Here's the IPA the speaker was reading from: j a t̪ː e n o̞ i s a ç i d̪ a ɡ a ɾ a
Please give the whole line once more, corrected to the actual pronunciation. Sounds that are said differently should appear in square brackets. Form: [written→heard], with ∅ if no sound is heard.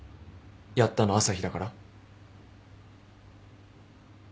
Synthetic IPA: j a t̪ː [e→a] n o̞ [i→a] s a ç i d̪ a [ɡ→k] a ɾ a